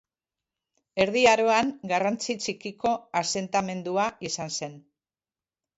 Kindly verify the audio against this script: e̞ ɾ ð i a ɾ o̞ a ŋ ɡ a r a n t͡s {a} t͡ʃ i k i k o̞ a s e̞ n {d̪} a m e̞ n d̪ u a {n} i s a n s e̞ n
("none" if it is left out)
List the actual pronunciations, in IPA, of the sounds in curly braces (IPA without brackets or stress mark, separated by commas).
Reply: i, t̪, none